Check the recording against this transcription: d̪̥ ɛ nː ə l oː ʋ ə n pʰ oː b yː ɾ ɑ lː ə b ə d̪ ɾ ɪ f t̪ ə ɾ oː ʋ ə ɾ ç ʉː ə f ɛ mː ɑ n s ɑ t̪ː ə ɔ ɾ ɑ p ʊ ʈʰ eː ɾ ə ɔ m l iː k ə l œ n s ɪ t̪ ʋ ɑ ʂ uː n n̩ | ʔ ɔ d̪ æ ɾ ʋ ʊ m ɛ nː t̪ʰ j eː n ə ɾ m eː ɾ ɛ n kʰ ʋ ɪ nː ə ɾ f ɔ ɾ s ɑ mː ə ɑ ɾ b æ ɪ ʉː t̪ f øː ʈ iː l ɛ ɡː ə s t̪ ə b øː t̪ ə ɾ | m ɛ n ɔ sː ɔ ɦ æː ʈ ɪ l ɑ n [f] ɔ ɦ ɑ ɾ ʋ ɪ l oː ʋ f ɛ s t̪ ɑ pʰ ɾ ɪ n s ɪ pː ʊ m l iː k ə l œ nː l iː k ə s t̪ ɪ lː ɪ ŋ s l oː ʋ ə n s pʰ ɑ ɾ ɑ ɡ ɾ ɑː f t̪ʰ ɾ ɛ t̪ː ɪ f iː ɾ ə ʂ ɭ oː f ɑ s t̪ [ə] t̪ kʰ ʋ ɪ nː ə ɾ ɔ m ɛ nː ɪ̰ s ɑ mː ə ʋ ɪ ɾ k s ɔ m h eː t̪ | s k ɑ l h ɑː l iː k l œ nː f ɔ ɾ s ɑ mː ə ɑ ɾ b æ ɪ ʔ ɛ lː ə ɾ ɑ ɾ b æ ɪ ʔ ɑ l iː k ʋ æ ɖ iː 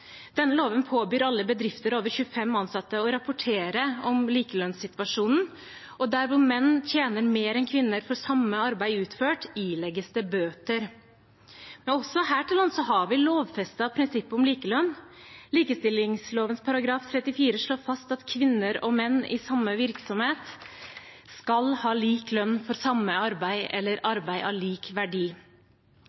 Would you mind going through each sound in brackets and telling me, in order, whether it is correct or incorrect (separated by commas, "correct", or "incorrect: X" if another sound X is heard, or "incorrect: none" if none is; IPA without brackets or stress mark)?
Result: incorrect: s, incorrect: ɑ